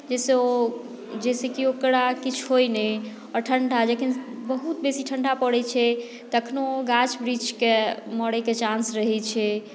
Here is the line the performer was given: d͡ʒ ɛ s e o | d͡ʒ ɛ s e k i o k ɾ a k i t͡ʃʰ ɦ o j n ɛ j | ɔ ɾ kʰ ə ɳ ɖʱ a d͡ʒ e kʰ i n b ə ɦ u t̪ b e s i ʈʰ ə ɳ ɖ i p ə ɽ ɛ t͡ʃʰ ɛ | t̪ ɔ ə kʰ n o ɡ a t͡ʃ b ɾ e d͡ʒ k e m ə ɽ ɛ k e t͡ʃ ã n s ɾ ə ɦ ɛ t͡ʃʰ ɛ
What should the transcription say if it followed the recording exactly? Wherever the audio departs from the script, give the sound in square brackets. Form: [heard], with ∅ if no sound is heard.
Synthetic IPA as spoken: d͡ʒ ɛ s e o | d͡ʒ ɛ s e k i o k ɾ a k i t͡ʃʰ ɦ o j n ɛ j | ɔ ɾ [ʈʰ] ə ɳ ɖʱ a d͡ʒ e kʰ i n b ə ɦ u t̪ b e s i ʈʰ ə ɳ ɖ [a] p ə ɽ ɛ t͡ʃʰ ɛ | t̪ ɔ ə kʰ n o ɡ a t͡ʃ b ɾ [i] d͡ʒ k e m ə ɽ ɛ k e t͡ʃ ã n s ɾ ə ɦ ɛ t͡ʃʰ ɛ